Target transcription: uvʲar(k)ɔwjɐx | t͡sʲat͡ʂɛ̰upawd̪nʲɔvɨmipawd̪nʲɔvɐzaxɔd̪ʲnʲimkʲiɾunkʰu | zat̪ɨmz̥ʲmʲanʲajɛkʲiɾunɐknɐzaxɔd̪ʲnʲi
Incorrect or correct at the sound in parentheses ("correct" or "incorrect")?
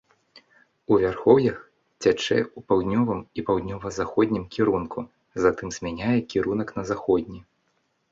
incorrect